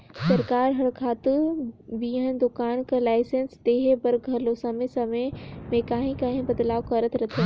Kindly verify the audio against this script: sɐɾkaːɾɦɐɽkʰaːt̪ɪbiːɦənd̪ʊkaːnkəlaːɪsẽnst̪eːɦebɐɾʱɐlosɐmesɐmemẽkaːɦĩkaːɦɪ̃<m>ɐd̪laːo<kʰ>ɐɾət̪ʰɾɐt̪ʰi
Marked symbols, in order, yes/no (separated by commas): no, no